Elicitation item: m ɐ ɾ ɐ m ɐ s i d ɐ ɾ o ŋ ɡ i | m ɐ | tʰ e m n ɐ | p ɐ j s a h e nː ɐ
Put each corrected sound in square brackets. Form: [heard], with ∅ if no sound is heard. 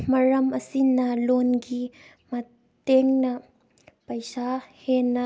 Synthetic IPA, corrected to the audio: m ɐ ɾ ɐ m ɐ s i [n] ɐ [l] o [n] ɡ i | m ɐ | [t] e [ŋ] n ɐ | p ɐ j s a h e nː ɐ